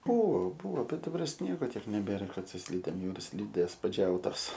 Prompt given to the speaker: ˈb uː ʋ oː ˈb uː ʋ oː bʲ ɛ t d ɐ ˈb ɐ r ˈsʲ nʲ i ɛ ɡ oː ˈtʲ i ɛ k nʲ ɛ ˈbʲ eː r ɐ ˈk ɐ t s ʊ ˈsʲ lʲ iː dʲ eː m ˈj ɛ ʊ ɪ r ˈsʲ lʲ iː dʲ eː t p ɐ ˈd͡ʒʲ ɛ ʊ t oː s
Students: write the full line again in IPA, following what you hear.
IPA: ˈb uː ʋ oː ˈb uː ʋ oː bʲ ɛ t d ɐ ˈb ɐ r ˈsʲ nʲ i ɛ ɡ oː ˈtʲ i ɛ k nʲ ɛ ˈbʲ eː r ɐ ˈk ɐ t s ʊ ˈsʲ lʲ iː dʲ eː m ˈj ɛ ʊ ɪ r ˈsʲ lʲ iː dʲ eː s p ɐ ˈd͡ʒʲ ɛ ʊ t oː s